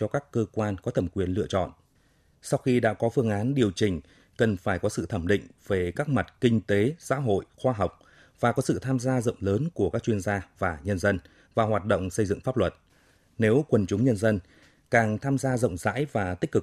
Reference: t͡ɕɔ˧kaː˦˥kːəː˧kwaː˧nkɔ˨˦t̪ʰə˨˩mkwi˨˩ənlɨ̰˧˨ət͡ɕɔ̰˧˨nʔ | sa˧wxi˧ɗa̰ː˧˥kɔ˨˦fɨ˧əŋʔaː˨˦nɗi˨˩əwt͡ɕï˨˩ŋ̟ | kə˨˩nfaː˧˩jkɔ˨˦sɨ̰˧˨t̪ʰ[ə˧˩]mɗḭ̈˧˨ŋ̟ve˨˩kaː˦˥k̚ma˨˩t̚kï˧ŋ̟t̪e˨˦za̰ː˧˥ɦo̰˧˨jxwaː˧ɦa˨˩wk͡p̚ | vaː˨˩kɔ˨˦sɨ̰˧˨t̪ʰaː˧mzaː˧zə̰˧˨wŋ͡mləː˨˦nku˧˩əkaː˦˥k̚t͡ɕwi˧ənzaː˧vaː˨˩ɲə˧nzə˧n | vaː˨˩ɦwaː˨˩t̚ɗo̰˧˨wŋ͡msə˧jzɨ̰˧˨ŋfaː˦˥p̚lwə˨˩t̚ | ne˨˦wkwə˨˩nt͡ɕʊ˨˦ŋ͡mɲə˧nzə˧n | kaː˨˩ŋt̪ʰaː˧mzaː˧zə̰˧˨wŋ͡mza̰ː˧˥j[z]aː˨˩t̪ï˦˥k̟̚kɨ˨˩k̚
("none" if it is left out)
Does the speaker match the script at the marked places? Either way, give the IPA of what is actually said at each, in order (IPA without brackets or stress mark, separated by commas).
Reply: ə˧˩, v